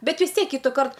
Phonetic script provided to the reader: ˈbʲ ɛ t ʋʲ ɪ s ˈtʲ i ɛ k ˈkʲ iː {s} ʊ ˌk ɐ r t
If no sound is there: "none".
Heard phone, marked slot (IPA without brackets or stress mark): t